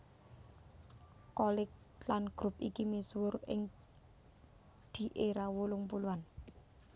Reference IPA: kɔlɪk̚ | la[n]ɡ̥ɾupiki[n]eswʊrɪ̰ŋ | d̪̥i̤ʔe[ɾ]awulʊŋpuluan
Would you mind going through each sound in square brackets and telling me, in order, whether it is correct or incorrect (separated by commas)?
correct, incorrect, correct